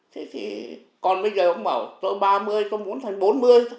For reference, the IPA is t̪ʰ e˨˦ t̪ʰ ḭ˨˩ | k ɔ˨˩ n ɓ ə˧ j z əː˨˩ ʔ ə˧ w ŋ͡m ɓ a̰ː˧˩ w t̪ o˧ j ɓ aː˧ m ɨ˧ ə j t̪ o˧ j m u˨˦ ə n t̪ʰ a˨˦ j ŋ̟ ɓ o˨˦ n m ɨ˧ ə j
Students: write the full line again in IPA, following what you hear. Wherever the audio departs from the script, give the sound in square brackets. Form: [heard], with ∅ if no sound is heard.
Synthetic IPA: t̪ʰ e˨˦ t̪ʰ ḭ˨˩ | k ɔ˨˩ n ɓ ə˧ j z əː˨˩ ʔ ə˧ w ŋ͡m ɓ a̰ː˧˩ w t̪ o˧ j ɓ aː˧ m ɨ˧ ə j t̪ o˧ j m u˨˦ ə n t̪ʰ [a˨˩] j ŋ̟ ɓ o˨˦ n m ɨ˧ ə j